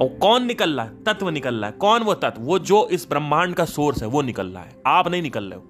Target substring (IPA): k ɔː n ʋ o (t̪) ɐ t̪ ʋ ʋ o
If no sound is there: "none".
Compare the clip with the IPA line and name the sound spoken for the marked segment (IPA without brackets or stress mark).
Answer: t̪